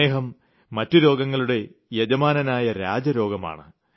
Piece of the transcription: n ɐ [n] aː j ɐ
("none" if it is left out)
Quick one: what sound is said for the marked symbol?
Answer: n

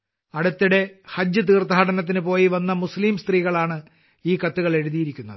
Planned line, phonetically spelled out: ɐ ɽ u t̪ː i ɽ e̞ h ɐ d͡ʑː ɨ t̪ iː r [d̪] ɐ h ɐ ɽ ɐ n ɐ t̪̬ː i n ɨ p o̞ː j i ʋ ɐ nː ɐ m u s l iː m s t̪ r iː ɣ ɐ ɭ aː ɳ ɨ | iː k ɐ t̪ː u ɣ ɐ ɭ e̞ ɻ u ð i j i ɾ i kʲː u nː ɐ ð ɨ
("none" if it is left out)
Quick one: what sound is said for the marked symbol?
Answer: t̪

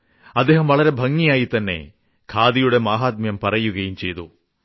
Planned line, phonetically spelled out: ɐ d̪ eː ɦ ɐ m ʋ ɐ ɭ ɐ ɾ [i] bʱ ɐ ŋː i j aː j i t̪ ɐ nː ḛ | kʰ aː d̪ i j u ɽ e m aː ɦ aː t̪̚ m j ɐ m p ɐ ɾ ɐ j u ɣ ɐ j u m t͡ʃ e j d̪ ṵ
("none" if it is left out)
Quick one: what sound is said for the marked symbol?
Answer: e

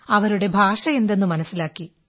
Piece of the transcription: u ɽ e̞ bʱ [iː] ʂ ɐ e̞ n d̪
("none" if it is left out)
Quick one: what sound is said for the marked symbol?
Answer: aː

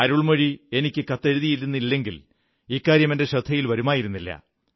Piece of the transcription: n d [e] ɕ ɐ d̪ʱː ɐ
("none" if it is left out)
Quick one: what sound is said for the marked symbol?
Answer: e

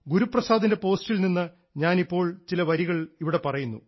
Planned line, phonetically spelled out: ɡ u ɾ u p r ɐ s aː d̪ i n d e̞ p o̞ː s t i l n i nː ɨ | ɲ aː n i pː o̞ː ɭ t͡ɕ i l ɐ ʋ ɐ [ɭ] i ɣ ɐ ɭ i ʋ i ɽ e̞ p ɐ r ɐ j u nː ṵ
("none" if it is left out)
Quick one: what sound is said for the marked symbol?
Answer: ɾ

